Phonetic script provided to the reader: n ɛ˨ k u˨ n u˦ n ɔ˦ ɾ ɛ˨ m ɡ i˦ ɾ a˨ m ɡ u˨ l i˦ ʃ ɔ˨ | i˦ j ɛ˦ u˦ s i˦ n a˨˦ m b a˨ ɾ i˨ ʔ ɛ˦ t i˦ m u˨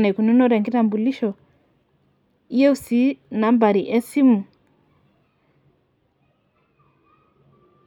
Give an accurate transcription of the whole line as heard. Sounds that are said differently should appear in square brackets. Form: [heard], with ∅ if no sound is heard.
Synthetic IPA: n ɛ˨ k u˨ n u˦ n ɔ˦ ɾ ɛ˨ [ŋ] ɡ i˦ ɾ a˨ m [b] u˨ l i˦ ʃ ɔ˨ | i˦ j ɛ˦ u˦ s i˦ n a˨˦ m b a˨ ɾ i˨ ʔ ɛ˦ [s] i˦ m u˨